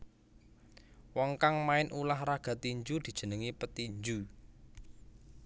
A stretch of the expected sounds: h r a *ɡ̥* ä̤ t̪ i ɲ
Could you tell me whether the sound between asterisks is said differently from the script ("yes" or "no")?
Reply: no